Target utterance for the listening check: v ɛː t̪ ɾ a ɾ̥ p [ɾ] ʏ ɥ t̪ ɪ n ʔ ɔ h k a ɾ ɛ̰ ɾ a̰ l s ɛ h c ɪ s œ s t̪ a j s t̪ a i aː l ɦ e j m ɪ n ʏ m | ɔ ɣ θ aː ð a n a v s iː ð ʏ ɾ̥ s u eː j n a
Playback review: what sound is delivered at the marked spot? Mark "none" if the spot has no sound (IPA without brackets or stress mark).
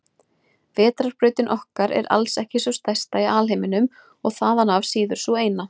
ɾ